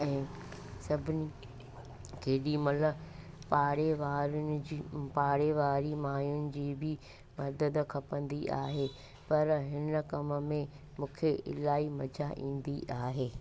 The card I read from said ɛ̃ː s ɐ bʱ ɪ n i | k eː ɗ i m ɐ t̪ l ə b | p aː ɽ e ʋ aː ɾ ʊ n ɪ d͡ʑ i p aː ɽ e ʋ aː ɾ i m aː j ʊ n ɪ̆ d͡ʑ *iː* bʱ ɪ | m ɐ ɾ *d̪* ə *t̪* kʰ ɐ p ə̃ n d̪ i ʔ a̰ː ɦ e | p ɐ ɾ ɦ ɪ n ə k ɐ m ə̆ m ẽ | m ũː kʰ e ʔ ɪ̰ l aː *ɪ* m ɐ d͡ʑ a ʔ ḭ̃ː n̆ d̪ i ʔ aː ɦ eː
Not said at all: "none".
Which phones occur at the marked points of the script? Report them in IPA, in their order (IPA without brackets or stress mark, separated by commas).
iː, d̪, d̪, i